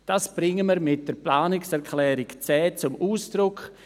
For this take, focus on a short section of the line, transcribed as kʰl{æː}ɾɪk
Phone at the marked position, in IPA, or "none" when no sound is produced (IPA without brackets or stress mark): ɛː